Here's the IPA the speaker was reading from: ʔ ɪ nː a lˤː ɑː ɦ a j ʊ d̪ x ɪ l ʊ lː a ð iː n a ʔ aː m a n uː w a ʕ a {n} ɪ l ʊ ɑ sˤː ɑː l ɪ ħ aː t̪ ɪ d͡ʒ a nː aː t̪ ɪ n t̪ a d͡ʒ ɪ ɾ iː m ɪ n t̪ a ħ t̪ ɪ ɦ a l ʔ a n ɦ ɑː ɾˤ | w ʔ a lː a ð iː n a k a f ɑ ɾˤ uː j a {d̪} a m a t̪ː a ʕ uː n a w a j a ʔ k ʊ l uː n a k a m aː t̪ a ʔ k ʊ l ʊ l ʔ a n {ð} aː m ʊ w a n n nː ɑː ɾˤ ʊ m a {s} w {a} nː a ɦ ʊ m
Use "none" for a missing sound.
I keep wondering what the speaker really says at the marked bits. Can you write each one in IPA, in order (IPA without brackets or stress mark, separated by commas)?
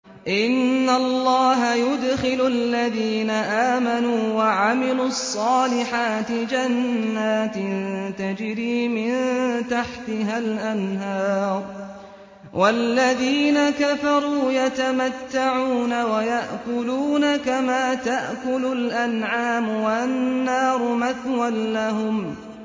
m, t̪, ʕ, θ, a